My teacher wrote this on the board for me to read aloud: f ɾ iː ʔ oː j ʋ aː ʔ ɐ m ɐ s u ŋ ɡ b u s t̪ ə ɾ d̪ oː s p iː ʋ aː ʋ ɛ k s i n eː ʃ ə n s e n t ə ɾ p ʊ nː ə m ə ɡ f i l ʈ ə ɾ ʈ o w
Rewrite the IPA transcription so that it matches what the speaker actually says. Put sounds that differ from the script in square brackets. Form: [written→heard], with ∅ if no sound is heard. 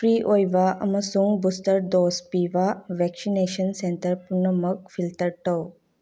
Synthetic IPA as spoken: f ɾ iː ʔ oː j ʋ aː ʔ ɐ m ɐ s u ŋ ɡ b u s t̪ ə ɾ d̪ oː s p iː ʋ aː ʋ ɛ k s i n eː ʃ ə n s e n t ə ɾ p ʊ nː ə m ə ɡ f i l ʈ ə ɾ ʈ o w

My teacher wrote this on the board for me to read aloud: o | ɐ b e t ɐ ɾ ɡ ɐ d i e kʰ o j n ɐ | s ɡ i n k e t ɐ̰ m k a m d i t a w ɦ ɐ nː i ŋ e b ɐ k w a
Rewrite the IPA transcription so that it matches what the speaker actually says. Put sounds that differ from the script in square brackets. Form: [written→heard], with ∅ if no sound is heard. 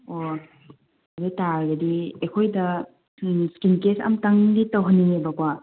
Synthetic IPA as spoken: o | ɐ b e t [ɐ→a] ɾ ɡ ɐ d i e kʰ o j [n→d] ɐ | s [ɡ→k] i n k e [t→s] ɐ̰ m [k→t] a [m→ŋ] d i t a w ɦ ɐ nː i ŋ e b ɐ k w a

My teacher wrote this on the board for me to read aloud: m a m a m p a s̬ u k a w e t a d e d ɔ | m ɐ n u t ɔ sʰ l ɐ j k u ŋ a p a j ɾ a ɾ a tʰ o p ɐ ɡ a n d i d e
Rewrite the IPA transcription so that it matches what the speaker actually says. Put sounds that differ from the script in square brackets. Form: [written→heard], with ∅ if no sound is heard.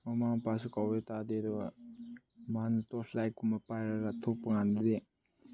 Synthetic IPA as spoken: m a m a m p a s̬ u k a w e t a d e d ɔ | m [ɐ→a] n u t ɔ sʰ l [ɐ→a] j k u [ŋ→m] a p a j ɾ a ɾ a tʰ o p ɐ [ɡ→ŋ] a n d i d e

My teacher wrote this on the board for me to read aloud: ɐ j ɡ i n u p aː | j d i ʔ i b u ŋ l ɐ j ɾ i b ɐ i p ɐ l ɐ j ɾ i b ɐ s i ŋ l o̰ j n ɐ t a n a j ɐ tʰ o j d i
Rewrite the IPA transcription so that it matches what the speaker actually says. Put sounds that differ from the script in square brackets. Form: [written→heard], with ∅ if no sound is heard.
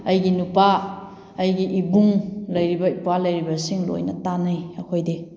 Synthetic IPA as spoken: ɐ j ɡ i n u p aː | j [d→ɡ] i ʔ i b u ŋ l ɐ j ɾ i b ɐ i p [ɐ→a] l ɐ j ɾ i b ɐ s i ŋ l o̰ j n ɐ t a n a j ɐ [tʰ→kʰ] o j d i

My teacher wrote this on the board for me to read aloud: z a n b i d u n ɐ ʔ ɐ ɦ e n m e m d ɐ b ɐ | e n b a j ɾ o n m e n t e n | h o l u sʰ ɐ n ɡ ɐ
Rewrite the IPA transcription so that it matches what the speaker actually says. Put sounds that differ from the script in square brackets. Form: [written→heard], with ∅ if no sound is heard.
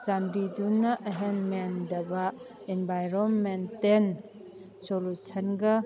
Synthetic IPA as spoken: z a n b i d u n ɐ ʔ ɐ ɦ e n m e [m→n] d ɐ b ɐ | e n b a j ɾ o n m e n t e n | [h→s] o l u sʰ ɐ n ɡ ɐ

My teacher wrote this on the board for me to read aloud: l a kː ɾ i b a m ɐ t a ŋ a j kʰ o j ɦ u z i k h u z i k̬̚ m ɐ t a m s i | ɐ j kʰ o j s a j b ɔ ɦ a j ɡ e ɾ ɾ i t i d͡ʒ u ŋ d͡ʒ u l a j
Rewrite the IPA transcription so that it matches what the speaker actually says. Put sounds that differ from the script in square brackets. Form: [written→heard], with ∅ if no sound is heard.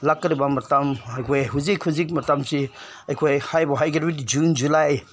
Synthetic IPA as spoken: l a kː ɾ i b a m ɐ t a [ŋ→m] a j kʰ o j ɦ u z i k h u z i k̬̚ m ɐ t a m s i | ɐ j kʰ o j [s→h] a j b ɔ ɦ a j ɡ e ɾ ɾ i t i d͡ʒ u [ŋ→n] d͡ʒ u l a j

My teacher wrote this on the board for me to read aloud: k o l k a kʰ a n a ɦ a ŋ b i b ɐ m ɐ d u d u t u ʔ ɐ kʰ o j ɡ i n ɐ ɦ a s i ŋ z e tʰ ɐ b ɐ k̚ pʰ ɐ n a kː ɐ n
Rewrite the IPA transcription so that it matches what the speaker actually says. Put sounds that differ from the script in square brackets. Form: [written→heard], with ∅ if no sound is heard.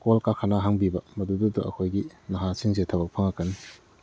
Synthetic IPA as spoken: k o l k a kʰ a n a ɦ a ŋ b i b ɐ m ɐ d u d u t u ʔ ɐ kʰ o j ɡ i n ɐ ɦ a s i ŋ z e tʰ ɐ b ɐ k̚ pʰ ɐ [n→ŋ] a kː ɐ n

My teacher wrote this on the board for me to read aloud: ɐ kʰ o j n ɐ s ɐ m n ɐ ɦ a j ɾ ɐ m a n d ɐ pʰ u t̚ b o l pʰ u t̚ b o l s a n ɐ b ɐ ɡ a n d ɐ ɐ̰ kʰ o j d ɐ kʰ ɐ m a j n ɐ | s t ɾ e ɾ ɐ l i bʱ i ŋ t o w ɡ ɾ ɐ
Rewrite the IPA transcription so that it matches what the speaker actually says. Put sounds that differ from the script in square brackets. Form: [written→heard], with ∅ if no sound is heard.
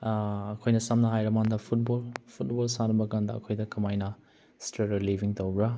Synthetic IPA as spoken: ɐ kʰ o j n ɐ s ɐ m n ɐ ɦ a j ɾ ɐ m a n d ɐ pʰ u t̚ b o l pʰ u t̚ b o l s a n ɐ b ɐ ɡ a n d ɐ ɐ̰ kʰ o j d ɐ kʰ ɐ m a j n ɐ | s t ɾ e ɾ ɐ l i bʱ i ŋ t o w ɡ ɾ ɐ

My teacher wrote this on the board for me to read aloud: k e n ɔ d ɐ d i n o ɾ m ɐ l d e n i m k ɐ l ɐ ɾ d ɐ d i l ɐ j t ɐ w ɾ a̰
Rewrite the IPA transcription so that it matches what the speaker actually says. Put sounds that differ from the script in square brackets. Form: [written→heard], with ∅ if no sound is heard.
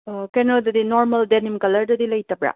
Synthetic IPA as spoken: k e n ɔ d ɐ d i n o ɾ m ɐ l d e n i m k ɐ l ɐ ɾ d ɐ d i l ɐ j t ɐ [w→b] ɾ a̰

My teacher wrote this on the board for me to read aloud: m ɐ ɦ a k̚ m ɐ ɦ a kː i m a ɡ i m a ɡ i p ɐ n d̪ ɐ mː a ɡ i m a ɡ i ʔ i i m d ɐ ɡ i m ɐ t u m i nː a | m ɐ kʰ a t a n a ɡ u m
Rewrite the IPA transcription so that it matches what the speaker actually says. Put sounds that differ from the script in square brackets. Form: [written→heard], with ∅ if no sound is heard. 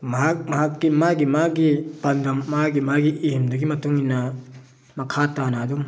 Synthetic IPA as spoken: m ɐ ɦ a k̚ m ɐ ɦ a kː i m a ɡ i m a ɡ i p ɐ n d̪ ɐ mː a ɡ i m a ɡ i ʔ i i m d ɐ ɡ i m ɐ t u [m→ŋ] i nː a | m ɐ kʰ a t a n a [ɡ→d] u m

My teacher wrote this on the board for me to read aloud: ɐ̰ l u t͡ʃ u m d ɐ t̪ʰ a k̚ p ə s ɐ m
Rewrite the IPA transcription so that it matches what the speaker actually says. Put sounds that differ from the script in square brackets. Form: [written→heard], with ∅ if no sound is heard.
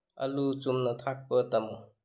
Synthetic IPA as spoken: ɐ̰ l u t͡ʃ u m [d→n] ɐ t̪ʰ a k̚ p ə [s→t] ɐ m

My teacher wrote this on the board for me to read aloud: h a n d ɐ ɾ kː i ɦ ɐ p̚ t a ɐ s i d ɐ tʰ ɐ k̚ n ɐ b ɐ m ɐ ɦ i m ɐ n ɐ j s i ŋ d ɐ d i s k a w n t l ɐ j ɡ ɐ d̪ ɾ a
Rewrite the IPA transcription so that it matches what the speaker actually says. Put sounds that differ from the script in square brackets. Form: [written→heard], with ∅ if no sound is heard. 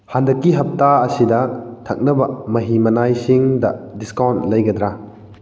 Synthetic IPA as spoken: h a n d ɐ [ɾ→∅] kː i ɦ ɐ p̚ t a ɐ s i d ɐ tʰ ɐ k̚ n ɐ b ɐ m ɐ ɦ i m ɐ n [ɐ→a] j s i ŋ d ɐ d i s k a w n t l ɐ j ɡ ɐ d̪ ɾ a

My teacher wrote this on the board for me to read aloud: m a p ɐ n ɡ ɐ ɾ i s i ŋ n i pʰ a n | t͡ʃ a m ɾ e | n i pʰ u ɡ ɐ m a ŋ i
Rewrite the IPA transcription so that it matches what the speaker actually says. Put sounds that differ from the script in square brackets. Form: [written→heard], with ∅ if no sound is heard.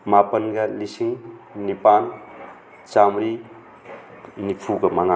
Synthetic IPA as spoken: m a p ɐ n ɡ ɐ [ɾ→l] i s i ŋ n i [pʰ→p] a n | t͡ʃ a m ɾ [e→i] | n i pʰ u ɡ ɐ m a ŋ [i→a]

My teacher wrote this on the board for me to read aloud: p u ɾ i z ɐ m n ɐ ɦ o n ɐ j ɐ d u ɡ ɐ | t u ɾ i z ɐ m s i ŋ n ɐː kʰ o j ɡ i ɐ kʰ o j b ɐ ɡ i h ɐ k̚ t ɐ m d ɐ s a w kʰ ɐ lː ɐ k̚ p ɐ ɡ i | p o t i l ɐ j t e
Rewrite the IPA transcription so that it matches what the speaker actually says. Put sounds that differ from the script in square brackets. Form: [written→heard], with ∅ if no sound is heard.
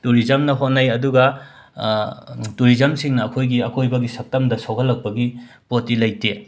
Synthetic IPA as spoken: [p→t] u ɾ i z ɐ m n ɐ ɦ o n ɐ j ɐ d u ɡ ɐ | t u ɾ i z ɐ m s i ŋ n ɐː kʰ o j ɡ i ɐ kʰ o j b ɐ ɡ i [h→s] ɐ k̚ t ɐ m d ɐ s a w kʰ ɐ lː ɐ k̚ p ɐ ɡ i | p o t i l ɐ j t e

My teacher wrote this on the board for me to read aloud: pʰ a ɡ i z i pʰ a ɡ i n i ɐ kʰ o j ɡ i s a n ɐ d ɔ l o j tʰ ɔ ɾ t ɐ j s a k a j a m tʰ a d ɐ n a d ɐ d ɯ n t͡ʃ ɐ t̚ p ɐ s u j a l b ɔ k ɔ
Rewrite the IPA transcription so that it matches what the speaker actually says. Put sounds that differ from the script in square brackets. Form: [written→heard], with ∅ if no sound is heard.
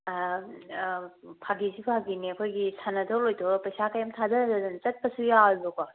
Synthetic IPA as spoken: pʰ a ɡ i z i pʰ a ɡ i n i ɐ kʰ o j ɡ i s a n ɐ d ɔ l o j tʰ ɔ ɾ [t→p] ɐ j s a k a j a m tʰ a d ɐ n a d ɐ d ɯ n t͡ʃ ɐ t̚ p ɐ s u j a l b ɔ k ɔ

